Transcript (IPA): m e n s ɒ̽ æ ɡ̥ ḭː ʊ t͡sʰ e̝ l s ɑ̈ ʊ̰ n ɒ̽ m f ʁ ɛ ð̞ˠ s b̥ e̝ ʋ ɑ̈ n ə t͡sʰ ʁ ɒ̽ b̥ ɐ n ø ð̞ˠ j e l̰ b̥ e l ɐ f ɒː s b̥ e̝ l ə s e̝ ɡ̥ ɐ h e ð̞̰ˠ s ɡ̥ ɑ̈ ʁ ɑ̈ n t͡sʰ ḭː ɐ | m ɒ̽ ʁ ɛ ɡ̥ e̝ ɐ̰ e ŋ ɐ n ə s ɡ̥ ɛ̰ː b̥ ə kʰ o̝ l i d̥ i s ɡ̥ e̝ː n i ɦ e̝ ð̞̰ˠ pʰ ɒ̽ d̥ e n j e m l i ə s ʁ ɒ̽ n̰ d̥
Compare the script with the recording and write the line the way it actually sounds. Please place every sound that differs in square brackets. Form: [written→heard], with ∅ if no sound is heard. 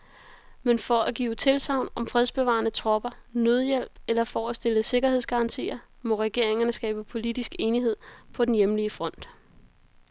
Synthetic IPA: m e n [s→f] ɒ̽ æ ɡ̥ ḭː ʊ t͡sʰ e̝ l s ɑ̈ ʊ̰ n ɒ̽ m f ʁ ɛ ð̞ˠ s b̥ e̝ ʋ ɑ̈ n ə t͡sʰ ʁ ɒ̽ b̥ ɐ n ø ð̞ˠ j e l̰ b̥ e l ɐ f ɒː s [b̥→d̥] e̝ l ə s e̝ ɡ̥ ɐ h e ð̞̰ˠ s ɡ̥ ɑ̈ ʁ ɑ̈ n t͡sʰ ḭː ɐ | m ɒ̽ ʁ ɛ ɡ̥ e̝ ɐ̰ e ŋ ɐ n ə s ɡ̥ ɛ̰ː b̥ ə [kʰ→pʰ] o̝ l i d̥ i s ɡ̥ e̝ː n i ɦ e̝ ð̞̰ˠ pʰ ɒ̽ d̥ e n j e m l i ə [s→f] ʁ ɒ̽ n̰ d̥